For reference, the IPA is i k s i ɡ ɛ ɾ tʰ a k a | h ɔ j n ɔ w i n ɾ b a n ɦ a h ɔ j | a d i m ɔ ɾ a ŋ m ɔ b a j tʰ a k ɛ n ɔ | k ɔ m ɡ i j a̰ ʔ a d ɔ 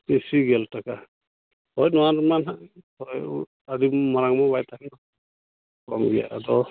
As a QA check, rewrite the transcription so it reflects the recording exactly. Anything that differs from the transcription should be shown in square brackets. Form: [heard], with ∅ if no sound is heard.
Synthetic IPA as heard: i [∅] s i ɡ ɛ [l] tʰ a k a | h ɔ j n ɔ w [a] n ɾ [m] a n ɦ a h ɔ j | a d i m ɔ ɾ a ŋ m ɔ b a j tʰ a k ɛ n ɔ | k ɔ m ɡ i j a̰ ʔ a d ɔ